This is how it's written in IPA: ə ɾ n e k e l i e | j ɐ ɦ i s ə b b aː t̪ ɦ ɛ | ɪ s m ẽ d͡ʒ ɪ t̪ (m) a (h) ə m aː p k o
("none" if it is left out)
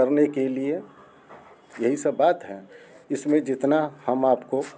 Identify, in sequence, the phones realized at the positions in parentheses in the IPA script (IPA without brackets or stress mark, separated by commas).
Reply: n, h